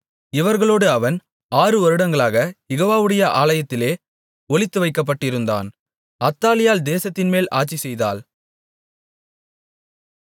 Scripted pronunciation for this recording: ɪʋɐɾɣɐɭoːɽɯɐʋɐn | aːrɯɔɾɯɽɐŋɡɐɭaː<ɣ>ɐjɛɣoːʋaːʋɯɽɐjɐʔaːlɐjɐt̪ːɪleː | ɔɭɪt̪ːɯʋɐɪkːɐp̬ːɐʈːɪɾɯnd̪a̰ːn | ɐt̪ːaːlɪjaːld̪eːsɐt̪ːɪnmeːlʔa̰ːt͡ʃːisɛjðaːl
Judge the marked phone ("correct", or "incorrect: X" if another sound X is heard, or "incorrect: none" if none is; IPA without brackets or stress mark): correct